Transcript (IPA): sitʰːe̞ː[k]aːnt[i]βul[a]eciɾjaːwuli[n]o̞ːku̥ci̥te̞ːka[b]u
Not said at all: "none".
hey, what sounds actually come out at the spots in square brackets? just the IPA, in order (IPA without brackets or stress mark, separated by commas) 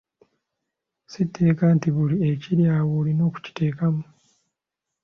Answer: k, i, i, n, m